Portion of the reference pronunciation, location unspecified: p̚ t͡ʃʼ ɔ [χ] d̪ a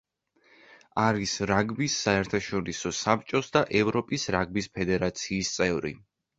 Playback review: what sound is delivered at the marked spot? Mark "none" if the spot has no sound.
s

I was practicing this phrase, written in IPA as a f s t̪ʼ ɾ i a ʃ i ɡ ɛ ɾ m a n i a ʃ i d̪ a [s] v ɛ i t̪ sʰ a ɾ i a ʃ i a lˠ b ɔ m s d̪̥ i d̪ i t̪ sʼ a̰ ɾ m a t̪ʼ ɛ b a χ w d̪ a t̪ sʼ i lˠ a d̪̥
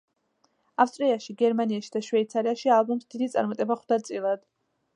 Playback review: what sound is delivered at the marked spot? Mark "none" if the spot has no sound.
ʃ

